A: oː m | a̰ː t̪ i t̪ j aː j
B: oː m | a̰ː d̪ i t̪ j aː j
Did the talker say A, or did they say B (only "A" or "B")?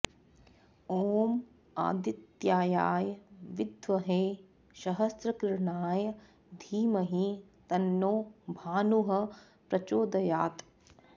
B